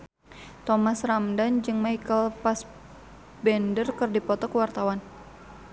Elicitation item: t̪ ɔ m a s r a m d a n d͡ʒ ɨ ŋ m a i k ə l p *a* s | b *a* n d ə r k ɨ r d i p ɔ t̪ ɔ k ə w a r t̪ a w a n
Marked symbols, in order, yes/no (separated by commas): yes, no